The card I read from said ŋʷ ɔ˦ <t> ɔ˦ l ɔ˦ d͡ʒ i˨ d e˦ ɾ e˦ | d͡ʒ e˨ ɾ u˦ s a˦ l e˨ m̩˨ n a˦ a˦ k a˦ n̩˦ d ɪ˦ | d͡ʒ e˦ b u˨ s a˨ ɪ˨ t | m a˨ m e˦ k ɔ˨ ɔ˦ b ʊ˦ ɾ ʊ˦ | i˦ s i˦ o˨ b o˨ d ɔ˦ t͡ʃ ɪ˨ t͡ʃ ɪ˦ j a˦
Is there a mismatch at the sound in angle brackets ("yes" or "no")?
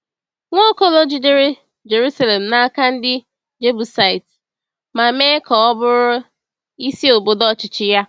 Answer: yes